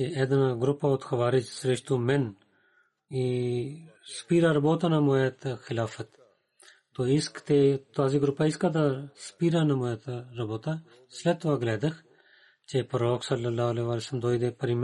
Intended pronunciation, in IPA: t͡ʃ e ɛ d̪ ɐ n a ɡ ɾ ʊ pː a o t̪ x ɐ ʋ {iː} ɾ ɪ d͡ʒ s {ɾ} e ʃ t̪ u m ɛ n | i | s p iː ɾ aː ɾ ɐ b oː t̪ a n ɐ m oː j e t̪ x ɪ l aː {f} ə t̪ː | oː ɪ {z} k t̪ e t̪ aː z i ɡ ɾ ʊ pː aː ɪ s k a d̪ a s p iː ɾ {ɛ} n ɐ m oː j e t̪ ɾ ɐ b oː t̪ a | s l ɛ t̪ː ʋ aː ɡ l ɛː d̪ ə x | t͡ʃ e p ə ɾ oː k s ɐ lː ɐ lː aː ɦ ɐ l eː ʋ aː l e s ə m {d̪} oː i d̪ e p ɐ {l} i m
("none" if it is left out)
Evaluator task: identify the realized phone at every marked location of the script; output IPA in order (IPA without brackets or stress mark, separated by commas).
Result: aː, ɾ, f, s, a, d̪, ɾ